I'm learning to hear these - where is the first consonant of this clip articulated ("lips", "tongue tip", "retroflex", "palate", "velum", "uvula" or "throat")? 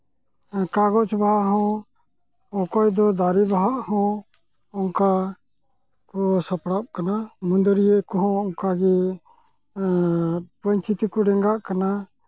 velum